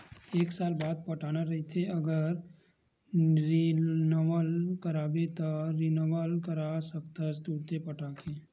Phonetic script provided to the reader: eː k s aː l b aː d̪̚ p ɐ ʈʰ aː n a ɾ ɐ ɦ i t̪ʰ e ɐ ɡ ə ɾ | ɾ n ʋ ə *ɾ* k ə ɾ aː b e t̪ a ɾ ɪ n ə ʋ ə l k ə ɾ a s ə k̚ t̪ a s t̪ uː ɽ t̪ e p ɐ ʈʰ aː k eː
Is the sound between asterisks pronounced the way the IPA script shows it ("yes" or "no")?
no